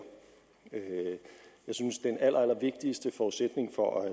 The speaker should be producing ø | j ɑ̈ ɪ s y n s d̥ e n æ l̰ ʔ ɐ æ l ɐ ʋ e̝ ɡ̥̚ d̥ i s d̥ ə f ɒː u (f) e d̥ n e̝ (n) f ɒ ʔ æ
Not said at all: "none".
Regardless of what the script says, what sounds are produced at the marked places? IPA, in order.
s, ŋ

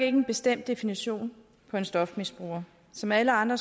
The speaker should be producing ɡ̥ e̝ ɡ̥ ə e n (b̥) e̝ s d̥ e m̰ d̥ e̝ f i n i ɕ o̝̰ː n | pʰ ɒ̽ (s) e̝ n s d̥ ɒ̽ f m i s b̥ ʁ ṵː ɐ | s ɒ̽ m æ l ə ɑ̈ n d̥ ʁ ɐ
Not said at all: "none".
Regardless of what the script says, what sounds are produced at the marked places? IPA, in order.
b̥, none

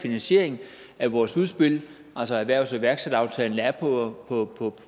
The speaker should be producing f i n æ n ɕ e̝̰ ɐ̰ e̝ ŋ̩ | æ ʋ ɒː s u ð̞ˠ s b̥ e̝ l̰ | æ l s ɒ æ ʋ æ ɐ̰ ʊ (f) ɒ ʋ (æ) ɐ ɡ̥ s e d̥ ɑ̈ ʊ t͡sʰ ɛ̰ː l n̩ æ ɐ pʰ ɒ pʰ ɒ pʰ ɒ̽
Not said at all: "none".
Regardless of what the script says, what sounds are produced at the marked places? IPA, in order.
s, æ

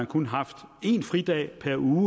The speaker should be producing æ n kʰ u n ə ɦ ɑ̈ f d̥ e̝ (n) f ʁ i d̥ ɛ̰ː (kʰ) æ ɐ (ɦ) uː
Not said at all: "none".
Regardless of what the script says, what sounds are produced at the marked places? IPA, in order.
n, pʰ, none

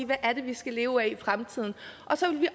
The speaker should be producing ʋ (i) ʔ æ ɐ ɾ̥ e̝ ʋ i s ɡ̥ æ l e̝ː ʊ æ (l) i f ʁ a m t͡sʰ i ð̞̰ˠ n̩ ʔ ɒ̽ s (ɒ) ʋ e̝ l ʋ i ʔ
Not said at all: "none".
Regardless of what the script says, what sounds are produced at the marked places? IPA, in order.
æ, none, ɒ

